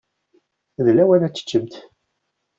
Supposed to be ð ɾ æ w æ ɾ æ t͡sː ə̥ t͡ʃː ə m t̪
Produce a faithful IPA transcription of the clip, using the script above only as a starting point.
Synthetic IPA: ð l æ w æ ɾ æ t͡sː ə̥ t͡ʃː ə m t̪